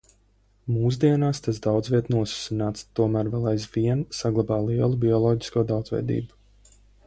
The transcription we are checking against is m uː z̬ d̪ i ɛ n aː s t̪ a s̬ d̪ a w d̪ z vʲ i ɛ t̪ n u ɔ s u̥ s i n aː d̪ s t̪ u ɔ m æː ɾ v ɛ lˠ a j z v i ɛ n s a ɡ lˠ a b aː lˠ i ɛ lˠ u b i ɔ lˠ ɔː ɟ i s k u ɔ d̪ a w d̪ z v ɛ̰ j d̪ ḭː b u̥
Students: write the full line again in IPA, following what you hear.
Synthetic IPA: m uː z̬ d̪ i ɛ n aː s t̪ a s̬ d̪ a w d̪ z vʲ i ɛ t̪ n u ɔ s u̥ s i n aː t̪ s t̪ u ɔ m æː ɾ v ɛ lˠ a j z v i ɛ n s a ɡ lˠ a b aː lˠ i ɛ lˠ u b i ɔ lˠ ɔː ɟ i s k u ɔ d̪ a w d̪ z v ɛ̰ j d̪ ḭː b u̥